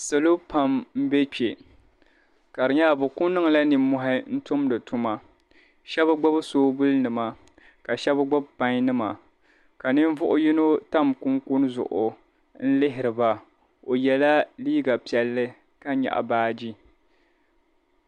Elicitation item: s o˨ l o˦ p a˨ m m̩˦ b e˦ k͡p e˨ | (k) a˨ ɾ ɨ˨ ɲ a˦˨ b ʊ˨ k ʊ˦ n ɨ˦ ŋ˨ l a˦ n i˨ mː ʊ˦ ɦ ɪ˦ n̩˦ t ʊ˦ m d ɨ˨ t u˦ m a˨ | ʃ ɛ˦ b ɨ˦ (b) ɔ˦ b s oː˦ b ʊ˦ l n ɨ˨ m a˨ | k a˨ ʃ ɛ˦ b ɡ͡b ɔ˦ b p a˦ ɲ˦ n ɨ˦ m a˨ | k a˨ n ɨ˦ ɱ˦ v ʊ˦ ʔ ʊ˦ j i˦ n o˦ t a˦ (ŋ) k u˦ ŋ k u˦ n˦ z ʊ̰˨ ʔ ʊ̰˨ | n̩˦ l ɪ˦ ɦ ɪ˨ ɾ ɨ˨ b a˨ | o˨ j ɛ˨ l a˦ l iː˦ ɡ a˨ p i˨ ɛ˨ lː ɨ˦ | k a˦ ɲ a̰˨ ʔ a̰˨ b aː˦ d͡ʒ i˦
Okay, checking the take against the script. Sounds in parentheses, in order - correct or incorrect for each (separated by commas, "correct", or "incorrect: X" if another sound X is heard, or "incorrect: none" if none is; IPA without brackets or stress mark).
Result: correct, incorrect: ɡ͡b, incorrect: m